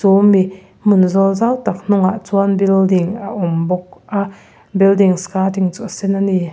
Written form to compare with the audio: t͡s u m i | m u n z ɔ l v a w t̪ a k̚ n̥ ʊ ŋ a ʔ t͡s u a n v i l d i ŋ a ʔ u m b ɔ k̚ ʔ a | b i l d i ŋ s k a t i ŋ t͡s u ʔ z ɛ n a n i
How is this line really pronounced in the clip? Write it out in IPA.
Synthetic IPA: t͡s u m i | m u n z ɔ l z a w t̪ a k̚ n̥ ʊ ŋ a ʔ t͡s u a n b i l d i ŋ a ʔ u m b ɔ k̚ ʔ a | b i l d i ŋ s k a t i ŋ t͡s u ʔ s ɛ n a n i